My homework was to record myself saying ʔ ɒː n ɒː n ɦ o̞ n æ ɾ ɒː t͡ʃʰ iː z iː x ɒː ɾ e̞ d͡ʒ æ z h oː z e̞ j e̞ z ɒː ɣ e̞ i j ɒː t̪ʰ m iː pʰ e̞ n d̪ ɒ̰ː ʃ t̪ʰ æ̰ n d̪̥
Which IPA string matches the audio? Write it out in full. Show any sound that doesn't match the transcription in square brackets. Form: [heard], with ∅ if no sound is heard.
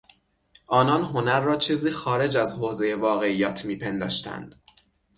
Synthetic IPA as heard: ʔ ɒː n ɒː n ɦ o̞ n æ [ɾː] ɒː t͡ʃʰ iː z iː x ɒː ɾ e̞ d͡ʒ æ z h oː z e̞ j e̞ [v] ɒː ɣ e̞ i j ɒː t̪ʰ m iː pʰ e̞ n d̪ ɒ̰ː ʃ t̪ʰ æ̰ n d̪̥